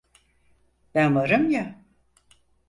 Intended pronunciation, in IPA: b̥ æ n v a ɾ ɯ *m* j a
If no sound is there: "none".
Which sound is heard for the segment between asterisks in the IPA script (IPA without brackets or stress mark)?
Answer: m